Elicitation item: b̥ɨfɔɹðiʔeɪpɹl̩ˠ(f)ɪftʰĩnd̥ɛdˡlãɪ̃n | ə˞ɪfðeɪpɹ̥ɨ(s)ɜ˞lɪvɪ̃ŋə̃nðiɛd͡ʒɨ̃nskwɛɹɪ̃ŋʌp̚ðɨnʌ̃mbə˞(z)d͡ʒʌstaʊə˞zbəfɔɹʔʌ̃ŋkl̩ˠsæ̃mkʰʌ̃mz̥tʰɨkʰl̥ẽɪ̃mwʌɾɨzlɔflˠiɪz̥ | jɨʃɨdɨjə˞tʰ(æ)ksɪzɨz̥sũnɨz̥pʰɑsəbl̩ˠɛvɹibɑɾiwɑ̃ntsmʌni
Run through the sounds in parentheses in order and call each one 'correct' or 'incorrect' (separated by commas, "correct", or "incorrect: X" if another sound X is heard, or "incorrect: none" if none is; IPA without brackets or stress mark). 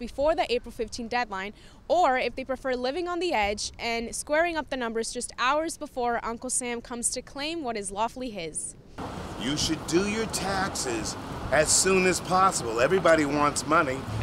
correct, incorrect: f, correct, correct